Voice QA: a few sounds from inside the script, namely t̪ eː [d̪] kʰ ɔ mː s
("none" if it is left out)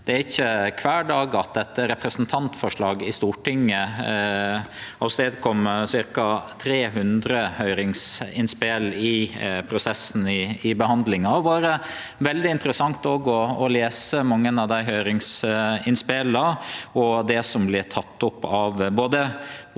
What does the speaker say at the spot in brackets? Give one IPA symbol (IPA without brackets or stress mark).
d̪